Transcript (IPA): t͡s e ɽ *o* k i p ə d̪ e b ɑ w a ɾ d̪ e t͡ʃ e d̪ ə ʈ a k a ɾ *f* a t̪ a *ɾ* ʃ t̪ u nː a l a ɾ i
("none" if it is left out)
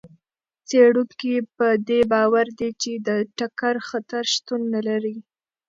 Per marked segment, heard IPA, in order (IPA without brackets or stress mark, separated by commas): u, x, ɾ